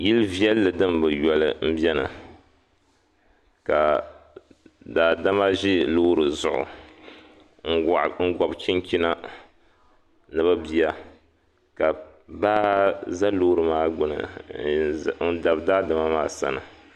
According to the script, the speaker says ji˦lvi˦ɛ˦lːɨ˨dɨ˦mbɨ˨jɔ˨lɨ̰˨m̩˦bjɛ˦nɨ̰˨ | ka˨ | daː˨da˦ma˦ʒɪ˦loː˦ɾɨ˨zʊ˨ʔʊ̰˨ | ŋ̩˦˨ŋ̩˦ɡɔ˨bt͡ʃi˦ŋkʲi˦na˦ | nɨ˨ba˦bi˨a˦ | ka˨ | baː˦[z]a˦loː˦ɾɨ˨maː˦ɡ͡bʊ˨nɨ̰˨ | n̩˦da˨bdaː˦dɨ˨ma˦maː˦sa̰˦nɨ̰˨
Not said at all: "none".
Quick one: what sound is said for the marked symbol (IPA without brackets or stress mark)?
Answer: z